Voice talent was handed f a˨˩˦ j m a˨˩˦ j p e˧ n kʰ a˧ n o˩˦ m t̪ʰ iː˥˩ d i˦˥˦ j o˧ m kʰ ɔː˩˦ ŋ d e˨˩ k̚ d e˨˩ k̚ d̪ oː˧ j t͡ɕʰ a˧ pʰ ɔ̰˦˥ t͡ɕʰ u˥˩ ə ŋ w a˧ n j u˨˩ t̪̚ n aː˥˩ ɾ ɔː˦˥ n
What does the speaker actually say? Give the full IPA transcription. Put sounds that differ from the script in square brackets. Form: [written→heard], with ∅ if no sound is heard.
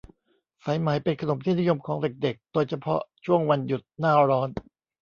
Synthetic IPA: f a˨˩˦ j m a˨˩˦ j p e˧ n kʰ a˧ n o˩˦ m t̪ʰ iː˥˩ [d→n] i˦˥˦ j o˧ m kʰ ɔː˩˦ ŋ d e˨˩ k̚ d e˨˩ k̚ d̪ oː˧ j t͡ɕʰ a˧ pʰ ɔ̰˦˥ t͡ɕʰ u˥˩ ə ŋ w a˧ n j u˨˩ t̪̚ n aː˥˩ ɾ ɔː˦˥ n